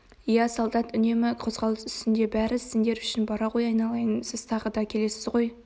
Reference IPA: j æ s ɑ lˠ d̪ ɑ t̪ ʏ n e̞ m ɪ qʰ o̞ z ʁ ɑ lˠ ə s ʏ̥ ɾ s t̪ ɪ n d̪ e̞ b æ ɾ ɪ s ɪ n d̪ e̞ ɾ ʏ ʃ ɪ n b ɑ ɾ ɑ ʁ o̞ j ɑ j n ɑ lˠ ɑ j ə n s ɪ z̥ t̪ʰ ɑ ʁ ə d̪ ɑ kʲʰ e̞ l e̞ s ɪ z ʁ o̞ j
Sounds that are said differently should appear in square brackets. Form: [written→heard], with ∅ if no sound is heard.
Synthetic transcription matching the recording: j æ s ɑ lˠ d̪ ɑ t̪ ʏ n e̞ m ɪ qʰ o̞ z ʁ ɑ lˠ ə s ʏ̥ [ɾ→∅] s t̪ ɪ n d̪ e̞ b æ ɾ ɪ s ɪ n d̪ e̞ ɾ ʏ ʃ ɪ n b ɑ ɾ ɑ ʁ o̞ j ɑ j n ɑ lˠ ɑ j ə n s ɪ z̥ t̪ʰ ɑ ʁ ə d̪ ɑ kʲʰ e̞ l e̞ s ɪ z ʁ o̞ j